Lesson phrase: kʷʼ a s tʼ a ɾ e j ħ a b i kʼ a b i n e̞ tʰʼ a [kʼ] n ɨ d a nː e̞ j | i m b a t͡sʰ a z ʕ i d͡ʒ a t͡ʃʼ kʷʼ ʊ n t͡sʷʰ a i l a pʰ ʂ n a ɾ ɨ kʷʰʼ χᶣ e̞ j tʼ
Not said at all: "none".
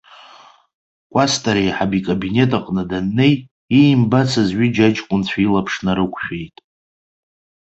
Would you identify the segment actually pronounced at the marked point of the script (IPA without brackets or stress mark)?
qʼ